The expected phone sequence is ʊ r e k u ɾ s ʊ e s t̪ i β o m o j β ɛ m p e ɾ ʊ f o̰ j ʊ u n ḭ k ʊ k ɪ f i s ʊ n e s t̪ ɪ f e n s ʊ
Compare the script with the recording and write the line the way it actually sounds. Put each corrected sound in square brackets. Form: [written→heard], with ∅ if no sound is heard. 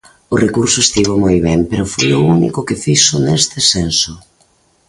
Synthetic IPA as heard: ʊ r e k u ɾ s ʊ e s t̪ i β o m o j β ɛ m p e ɾ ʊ f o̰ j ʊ u n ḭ k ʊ k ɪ f i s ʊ n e s t̪ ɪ [f→s] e n s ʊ